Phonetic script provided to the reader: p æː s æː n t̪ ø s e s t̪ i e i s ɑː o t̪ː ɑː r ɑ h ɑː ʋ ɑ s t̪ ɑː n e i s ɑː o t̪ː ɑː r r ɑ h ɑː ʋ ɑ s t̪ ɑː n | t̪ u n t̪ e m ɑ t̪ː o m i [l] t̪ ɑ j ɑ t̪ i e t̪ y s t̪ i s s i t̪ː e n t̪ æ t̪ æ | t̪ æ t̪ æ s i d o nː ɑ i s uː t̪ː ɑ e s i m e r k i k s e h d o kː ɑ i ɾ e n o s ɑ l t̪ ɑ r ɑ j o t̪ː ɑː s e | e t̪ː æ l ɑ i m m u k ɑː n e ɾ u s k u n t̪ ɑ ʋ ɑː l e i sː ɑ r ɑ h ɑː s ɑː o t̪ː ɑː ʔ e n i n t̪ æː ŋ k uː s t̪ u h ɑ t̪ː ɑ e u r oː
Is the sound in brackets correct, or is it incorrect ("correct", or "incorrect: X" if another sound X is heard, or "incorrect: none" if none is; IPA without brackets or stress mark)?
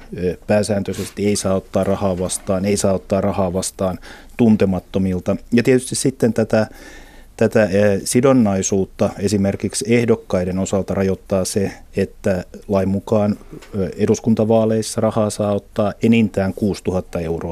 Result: correct